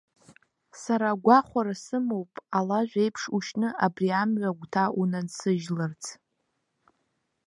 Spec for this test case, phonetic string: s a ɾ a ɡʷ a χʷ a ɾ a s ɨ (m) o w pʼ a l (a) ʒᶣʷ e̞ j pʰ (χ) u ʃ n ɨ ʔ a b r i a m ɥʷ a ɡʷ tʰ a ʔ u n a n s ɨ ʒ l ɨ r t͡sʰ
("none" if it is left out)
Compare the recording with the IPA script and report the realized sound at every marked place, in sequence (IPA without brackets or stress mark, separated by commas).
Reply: m, a, ʂ